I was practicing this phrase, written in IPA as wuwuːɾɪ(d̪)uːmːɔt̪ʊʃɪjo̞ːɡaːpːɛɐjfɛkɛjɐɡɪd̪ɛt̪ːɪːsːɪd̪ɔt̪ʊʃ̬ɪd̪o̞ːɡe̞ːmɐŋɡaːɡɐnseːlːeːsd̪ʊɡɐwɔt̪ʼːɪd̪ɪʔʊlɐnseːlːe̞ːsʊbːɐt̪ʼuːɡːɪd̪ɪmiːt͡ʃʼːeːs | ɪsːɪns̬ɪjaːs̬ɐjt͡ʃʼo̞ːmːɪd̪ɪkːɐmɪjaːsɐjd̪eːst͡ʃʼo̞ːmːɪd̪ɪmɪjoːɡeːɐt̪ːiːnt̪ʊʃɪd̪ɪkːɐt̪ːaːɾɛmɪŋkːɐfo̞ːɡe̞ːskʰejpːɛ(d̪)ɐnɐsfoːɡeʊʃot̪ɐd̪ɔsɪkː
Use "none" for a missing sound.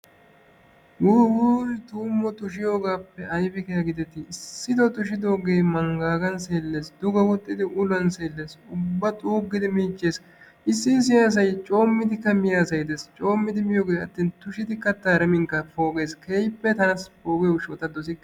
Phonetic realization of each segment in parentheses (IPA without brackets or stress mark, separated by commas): t̪, t̪